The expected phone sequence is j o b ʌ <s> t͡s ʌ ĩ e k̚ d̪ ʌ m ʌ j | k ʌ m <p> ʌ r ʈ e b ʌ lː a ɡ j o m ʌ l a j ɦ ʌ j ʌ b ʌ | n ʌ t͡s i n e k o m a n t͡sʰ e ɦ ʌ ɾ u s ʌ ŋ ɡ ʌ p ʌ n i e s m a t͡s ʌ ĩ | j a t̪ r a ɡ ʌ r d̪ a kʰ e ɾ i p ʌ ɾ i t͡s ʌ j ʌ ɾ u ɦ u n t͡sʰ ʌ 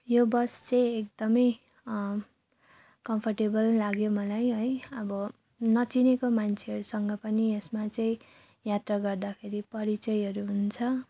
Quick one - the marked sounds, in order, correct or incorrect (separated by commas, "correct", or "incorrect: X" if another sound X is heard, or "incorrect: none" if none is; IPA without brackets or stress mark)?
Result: correct, incorrect: pʰ